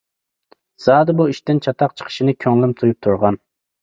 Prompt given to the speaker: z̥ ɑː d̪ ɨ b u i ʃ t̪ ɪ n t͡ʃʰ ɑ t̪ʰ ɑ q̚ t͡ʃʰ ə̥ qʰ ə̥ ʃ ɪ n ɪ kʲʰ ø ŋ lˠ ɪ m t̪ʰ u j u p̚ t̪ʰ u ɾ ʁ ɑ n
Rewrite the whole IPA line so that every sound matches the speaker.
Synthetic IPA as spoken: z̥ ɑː d̪ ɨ b u i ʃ t̪ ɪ n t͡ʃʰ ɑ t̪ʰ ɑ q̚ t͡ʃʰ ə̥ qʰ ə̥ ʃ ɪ n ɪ kʲʰ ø ŋ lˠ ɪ m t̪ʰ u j u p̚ t̪ʰ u ɾ ʁ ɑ n